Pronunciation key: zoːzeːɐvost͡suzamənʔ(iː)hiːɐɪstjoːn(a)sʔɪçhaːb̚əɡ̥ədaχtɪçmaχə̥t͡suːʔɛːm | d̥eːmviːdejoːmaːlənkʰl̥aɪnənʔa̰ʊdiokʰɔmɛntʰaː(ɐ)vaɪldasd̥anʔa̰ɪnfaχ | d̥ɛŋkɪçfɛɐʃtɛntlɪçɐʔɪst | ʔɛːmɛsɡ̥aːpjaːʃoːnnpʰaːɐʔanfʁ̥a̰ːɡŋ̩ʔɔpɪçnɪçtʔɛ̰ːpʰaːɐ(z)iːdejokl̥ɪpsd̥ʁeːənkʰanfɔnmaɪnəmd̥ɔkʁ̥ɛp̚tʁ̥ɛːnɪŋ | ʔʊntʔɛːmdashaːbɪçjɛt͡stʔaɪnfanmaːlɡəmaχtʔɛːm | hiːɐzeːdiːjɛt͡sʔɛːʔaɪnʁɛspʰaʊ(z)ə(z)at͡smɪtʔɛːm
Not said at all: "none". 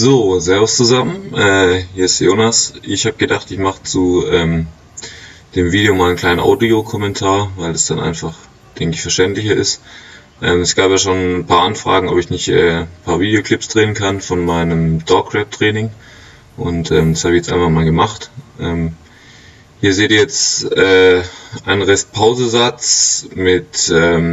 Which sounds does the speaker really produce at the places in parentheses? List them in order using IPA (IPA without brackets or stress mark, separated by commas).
ɛː, a, ɐ, v, z, z